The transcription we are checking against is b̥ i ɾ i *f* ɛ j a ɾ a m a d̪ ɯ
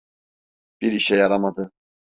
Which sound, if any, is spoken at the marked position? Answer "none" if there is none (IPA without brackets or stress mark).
ʃ